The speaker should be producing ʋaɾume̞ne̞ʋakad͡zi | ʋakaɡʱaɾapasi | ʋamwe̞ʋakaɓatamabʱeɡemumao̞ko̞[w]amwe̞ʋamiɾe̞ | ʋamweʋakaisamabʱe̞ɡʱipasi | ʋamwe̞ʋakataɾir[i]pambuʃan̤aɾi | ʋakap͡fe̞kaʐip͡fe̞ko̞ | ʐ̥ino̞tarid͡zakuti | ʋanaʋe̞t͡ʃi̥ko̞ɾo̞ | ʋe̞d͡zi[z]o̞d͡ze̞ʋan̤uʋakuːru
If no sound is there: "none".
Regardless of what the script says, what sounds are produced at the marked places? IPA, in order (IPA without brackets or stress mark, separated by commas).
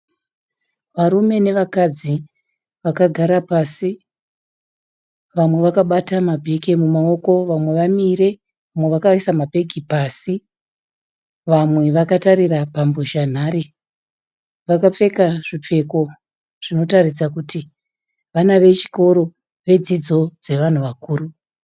ʋ, a, d͡z